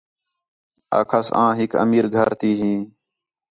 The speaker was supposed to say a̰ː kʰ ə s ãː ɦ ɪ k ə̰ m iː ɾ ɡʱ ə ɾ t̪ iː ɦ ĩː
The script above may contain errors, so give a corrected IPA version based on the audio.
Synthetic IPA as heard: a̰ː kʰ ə s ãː ɦ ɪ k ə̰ m iː ɾ ɡʱ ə ɾ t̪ iː ɦ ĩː